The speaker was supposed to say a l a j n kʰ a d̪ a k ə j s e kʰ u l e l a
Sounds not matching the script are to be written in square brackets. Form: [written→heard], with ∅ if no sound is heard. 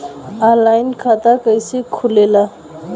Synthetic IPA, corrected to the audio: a l a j n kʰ a [d̪→t̪] a k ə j s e kʰ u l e l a